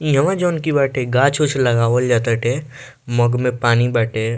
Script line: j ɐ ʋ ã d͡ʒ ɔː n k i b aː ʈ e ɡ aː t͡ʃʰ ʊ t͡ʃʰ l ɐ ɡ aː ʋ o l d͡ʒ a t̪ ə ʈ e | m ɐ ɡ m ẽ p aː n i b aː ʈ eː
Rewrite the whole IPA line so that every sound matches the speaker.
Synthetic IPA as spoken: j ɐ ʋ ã d͡ʒ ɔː n k i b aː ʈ e ɡ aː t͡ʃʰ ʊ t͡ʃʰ l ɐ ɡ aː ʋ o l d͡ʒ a t̪ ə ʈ e | m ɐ ɡ m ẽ p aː n i b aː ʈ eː